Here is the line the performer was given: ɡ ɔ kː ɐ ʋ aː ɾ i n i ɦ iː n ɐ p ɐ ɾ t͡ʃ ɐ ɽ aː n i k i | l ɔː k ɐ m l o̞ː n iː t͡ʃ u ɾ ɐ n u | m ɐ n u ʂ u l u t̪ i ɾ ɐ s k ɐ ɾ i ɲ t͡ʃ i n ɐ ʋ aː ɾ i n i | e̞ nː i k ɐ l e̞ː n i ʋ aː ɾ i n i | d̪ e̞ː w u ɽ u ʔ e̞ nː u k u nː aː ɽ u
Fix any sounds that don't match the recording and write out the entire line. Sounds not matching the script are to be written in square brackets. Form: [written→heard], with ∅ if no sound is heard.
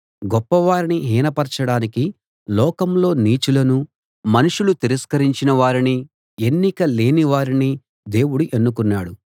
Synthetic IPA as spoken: ɡ ɔ [kː→pː] ɐ ʋ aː ɾ i n i ɦ iː n ɐ p ɐ ɾ t͡ʃ ɐ ɽ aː n i k i | l ɔː k ɐ m l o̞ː n iː t͡ʃ u [ɾ→l] ɐ n u | m ɐ n u ʂ u l u t̪ i ɾ ɐ s k ɐ ɾ i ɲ t͡ʃ i n ɐ ʋ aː ɾ i n i | e̞ nː i k ɐ l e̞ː n i ʋ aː ɾ i n i | d̪ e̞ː w u ɽ u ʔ e̞ nː u k u nː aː ɽ u